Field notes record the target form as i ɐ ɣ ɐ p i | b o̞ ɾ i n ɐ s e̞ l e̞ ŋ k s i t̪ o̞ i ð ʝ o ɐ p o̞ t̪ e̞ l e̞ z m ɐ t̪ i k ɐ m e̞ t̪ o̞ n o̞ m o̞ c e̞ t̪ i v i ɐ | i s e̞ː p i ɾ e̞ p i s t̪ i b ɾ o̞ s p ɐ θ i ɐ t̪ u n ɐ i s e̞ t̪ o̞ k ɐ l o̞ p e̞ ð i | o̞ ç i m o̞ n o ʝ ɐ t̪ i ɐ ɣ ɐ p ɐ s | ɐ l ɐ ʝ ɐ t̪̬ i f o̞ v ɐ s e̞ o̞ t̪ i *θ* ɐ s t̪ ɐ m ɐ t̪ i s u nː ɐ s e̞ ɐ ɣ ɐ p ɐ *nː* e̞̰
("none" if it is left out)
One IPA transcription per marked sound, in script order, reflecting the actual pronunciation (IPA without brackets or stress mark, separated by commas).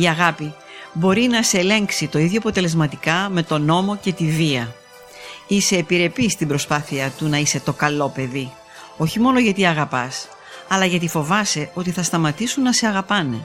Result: θ, n